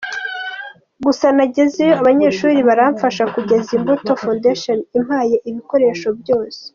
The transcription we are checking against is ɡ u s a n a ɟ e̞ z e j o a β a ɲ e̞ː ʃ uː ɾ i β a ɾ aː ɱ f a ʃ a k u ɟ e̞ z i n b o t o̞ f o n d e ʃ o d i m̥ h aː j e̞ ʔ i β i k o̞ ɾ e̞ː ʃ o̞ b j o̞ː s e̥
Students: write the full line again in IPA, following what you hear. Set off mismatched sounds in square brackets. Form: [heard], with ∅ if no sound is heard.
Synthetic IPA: ɡ u s a n a ɟ e̞ z e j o a β a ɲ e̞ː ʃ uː ɾ i β a ɾ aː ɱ f a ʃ a k u ɟ e̞ z i [m] b o t o̞ f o n d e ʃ o [n] i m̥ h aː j e̞ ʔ i β i k o̞ ɾ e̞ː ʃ o̞ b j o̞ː s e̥